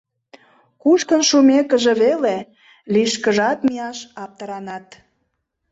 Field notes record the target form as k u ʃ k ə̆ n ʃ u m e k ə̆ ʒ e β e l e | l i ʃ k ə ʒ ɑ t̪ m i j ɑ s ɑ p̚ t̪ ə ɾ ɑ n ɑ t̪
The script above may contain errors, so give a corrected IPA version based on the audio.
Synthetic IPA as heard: k u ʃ k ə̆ n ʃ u m e k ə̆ ʒ e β e l e | l i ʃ k ə ʒ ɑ t̪ m i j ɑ ʃ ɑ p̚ t̪ ə ɾ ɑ n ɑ t̪